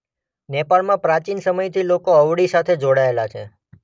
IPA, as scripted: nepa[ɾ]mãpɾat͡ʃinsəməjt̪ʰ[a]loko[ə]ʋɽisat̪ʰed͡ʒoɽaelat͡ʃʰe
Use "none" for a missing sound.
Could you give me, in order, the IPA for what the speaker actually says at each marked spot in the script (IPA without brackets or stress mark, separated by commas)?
ɭ, i, ə